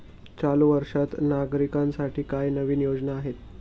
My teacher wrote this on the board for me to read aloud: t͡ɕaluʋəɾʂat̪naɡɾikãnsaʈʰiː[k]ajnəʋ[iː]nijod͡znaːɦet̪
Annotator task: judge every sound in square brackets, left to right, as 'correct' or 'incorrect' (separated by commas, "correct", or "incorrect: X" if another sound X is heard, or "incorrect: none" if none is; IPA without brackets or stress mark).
correct, correct